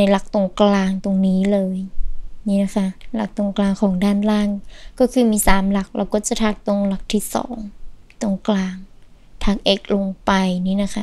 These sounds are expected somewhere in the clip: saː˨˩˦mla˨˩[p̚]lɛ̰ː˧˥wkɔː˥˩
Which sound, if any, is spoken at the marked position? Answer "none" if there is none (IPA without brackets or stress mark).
k̚